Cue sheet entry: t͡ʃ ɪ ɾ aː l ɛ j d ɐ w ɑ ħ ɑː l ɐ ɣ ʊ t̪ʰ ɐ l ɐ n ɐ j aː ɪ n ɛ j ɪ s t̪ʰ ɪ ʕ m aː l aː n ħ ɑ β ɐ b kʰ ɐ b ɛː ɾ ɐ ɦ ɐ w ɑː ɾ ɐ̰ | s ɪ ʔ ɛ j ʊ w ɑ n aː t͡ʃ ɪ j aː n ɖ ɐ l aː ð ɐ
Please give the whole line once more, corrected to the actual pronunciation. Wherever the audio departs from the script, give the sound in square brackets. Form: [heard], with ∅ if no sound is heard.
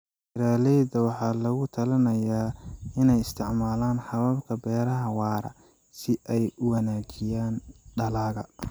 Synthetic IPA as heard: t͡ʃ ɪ ɾ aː l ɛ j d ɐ w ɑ ħ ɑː l ɐ ɣ ʊ t̪ʰ ɐ l ɐ n ɐ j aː ɪ n ɛ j ɪ s t̪ʰ ɪ ʕ m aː l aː n ħ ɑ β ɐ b kʰ ɐ b ɛː ɾ ɐ ɦ ɐ w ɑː ɾ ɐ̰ | s ɪ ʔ ɛ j ʊ w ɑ n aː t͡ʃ ɪ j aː n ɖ ɐ l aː [ɣ] ɐ